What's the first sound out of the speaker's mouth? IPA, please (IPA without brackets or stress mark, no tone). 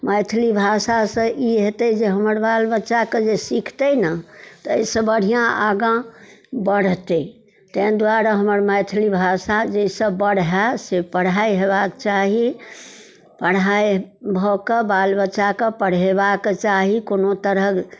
m